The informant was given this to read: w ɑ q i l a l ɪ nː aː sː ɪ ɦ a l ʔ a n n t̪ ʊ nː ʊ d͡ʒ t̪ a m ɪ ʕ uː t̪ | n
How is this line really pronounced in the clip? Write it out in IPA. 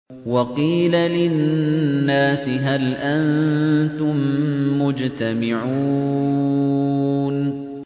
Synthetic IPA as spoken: w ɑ q iː l a l ɪ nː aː s ɪ ɦ a l ʔ a n n t̪ ʊ mː ʊ d͡ʒ t̪ a m ɪ ʕ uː | n